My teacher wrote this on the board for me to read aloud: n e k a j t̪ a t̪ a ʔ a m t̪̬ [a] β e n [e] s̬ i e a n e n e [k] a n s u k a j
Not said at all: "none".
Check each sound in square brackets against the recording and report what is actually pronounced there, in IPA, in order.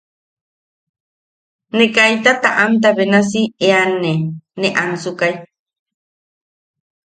a, a, ʔ

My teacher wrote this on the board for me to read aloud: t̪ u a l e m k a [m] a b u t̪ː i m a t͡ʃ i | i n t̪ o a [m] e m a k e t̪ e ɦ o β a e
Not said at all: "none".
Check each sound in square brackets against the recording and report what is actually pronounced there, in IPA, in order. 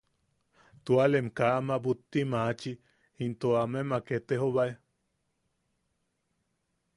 m, m

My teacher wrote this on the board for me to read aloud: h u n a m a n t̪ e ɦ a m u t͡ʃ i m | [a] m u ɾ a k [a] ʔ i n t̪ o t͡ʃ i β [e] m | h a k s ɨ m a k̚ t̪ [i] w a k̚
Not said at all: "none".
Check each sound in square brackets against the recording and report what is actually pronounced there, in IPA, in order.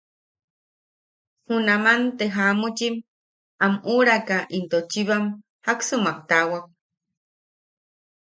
a, a, a, a

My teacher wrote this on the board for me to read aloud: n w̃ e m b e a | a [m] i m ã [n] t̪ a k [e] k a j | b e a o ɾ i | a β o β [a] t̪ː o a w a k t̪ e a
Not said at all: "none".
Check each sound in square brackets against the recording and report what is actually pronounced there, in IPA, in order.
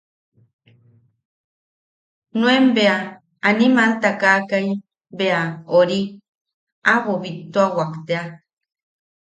n, n, a, i

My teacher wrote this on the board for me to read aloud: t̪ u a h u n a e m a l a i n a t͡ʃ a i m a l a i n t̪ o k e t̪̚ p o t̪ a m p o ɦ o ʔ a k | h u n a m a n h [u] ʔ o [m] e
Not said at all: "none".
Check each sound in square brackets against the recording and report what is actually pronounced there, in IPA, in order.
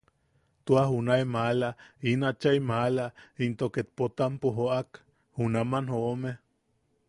o, m

